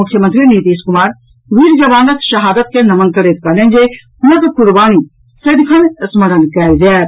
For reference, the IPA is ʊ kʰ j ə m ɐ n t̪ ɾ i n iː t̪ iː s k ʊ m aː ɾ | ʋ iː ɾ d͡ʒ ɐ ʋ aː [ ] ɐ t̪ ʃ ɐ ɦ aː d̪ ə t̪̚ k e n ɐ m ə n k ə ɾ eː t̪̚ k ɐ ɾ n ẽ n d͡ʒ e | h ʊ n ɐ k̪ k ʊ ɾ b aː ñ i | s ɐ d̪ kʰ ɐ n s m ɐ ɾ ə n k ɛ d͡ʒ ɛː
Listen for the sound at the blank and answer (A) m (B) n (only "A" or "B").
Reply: B